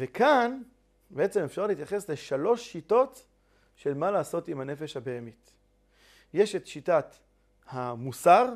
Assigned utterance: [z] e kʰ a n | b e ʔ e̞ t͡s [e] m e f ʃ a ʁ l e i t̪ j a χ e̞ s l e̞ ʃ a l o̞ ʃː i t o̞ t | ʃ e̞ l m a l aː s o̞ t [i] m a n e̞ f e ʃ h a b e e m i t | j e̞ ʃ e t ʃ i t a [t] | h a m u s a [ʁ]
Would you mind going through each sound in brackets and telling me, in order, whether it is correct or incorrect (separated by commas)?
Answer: incorrect, correct, correct, correct, correct